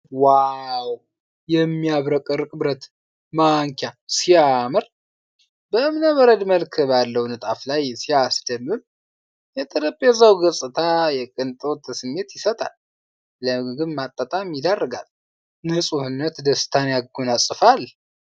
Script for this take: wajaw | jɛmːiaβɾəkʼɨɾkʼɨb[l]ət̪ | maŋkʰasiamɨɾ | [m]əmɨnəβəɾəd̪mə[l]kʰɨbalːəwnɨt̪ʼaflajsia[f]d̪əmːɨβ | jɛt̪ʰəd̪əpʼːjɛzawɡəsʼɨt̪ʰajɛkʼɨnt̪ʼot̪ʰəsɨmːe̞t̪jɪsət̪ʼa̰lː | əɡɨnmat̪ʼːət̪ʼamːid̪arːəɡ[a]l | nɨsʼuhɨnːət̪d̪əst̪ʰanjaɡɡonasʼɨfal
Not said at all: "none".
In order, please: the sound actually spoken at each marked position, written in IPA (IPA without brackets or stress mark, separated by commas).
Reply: ɾ, b, l, s, a